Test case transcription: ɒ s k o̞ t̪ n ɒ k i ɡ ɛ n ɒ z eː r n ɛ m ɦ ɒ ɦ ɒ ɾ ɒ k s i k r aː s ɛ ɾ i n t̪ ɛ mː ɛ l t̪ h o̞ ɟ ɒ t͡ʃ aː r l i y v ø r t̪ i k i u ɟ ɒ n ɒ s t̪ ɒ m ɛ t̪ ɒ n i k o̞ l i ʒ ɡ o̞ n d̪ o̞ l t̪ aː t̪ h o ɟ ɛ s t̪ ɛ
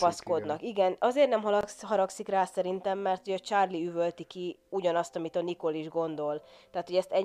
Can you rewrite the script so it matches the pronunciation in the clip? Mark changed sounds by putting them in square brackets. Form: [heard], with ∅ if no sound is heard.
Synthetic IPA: ɒ s k o̞ [d̪] n ɒ k i ɡ ɛ n ɒ z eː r n ɛ m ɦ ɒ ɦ ɒ ɾ ɒ k s i k r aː s ɛ ɾ i n t̪ ɛ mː ɛ [r] t̪ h o̞ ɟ ɒ t͡ʃ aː r l i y v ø [l] t̪ i k i u ɟ ɒ n ɒ s t̪ ɒ m [i] t̪ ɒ n i k o̞ l i ʒ ɡ o̞ n d̪ o̞ l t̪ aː t̪ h o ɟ ɛ s t̪ ɛ